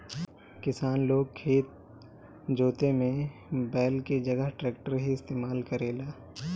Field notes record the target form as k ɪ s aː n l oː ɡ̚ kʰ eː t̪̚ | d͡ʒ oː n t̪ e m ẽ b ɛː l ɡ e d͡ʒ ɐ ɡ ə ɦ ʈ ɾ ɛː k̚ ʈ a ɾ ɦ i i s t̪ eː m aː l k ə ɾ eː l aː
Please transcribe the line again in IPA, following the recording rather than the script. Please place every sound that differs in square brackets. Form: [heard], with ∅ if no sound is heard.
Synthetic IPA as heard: k ɪ s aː n l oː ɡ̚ kʰ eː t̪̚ | d͡ʒ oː [∅] t̪ e m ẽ b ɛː l [k] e d͡ʒ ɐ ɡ ə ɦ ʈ ɾ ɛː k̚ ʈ [ə] ɾ ɦ i [ɪ] s t̪ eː m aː l k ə ɾ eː l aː

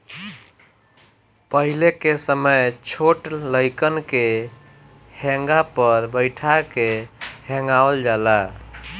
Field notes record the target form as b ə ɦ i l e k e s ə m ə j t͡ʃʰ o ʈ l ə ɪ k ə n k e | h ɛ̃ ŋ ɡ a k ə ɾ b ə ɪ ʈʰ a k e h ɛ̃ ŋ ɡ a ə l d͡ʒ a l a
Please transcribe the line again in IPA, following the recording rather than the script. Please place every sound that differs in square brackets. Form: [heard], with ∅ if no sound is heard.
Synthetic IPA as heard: [p] ə ɦ i l e k e s ə m ə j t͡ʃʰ o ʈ l ə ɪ k ə n k e | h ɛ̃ ŋ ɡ a [p] ə ɾ b ə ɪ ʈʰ a k e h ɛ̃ ŋ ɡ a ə l d͡ʒ a l a

